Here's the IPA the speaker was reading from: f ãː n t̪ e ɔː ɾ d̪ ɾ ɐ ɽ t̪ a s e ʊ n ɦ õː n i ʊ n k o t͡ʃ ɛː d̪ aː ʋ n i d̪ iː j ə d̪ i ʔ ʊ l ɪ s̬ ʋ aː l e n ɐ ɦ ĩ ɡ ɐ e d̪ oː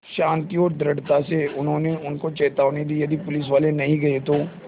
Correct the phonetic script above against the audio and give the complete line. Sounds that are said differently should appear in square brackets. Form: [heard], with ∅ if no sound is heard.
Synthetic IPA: [ʃ] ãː n t̪ [i] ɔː ɾ d̪ ɾ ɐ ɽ t̪ a s e ʊ n ɦ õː n [e] ʊ n k o t͡ʃ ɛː [t̪] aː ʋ n i d̪ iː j [ɐ] d̪ i [p] ʊ l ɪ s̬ ʋ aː l e n ɐ ɦ ĩ ɡ ɐ e [t̪] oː